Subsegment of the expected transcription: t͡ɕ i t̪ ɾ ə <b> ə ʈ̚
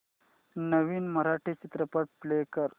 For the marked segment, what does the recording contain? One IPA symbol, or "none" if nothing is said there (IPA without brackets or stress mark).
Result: p